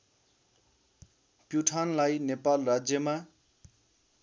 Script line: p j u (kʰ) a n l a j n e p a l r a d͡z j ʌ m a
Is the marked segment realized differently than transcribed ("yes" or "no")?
yes